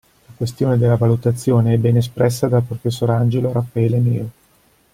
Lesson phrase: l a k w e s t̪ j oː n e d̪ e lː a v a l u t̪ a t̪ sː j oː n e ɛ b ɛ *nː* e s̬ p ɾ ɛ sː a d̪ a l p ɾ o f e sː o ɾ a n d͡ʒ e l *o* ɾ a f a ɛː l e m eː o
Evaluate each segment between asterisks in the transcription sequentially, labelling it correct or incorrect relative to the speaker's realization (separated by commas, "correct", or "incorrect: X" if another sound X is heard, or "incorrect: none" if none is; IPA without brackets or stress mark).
incorrect: n, correct